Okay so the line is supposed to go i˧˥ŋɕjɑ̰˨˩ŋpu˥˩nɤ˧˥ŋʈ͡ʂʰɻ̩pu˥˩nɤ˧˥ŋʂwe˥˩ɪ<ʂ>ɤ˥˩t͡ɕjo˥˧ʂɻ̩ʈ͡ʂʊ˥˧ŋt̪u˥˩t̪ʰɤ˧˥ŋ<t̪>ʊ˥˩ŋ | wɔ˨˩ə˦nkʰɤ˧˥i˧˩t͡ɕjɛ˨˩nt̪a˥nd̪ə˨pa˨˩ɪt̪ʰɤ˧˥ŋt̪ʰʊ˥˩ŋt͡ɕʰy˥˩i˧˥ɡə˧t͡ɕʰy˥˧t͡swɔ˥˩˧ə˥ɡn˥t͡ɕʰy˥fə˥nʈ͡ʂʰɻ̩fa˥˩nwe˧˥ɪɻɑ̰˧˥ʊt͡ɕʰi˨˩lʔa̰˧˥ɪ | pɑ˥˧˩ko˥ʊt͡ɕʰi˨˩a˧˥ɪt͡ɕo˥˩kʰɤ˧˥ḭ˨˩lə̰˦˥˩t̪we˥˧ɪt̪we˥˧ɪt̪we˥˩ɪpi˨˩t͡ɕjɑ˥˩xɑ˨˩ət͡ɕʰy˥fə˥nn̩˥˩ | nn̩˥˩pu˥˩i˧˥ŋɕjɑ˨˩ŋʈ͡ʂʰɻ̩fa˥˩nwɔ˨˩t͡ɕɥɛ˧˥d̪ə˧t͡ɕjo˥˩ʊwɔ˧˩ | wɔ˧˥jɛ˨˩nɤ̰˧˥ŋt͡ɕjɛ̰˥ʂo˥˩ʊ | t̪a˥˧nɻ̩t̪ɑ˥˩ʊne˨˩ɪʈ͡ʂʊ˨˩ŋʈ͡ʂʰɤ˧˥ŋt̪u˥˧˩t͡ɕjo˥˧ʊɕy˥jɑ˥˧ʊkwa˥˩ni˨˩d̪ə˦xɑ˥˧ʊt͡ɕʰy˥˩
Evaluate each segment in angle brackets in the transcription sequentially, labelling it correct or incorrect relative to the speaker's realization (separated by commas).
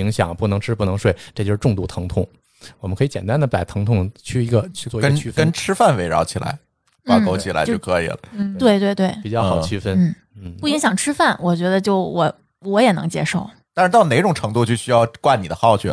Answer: incorrect, incorrect